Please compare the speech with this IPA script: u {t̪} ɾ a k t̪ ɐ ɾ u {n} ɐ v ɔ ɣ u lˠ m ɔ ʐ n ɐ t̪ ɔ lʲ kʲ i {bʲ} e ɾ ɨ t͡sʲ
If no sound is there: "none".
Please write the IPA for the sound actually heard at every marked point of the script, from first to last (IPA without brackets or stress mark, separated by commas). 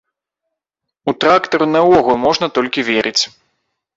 t̪, n, vʲ